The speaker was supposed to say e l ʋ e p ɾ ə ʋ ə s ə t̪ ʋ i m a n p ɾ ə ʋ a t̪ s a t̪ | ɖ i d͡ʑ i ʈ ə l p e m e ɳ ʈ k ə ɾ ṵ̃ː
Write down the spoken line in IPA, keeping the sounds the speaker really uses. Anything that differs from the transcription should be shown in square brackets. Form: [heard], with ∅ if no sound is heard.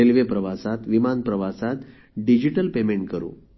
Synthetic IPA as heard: e l ʋ e p ɾ ə ʋ [a] s [a] t̪ ʋ i m a n p ɾ ə ʋ a [∅] s a t̪ | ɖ i d͡ʑ i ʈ ə l p e m e ɳ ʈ k ə ɾ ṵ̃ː